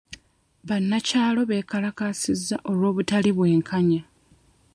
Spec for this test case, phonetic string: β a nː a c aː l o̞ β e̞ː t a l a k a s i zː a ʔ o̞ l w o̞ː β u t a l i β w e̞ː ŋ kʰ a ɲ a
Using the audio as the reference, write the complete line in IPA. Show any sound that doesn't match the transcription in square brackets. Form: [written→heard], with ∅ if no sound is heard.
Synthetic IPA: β a nː a c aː l o̞ β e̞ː [t→k] a l a k a s i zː a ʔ o̞ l w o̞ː β u t a l i β w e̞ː ŋ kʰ a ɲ a